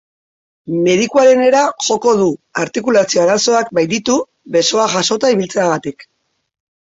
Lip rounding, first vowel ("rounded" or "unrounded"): unrounded